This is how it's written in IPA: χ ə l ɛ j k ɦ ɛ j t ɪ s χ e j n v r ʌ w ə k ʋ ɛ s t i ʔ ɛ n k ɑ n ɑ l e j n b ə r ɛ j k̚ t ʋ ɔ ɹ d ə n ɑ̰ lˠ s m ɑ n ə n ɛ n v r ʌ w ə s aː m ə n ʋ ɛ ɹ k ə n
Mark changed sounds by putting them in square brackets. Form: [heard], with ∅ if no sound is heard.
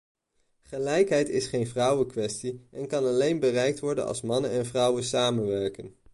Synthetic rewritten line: χ ə l ɛ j k ɦ ɛ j t ɪ s χ e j n v r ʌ w ə k ʋ ɛ s t i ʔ ɛ n k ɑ n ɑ l e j n b ə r ɛ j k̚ t ʋ ɔ ɹ d ə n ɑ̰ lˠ s m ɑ n ə n ɛ n v r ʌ w ə s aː m ə n ʋ ɛ ɹ k ə n